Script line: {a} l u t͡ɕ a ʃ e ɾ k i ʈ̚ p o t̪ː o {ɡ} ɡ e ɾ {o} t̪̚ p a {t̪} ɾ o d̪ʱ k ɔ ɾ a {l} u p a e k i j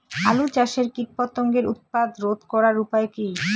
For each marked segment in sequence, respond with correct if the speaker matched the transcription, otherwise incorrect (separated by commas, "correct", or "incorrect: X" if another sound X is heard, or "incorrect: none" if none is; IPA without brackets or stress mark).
correct, incorrect: ŋ, incorrect: u, incorrect: d̪, incorrect: ɾ